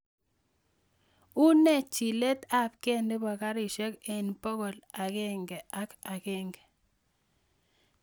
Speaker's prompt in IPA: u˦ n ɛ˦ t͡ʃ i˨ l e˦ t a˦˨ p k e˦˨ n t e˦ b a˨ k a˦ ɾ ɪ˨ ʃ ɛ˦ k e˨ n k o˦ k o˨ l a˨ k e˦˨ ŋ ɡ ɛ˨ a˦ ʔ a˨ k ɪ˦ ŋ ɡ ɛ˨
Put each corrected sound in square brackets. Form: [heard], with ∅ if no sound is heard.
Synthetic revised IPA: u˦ n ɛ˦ t͡ʃ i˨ l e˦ t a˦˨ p k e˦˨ n [d] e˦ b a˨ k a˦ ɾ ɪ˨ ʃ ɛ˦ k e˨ n [p] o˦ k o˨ l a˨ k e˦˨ ŋ ɡ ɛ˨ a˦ [k] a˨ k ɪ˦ ŋ ɡ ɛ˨